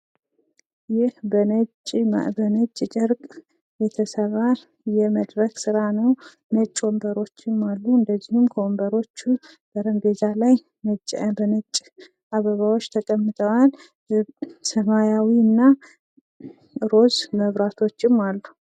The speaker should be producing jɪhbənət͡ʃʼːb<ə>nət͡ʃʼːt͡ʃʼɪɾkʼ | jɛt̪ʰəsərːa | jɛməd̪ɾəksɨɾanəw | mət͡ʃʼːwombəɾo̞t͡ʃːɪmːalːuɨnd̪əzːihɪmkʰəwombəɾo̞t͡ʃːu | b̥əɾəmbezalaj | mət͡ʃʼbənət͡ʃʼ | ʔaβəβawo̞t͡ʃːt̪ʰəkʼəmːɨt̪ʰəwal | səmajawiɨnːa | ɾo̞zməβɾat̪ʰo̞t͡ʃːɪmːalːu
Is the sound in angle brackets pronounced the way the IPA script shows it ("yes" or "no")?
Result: yes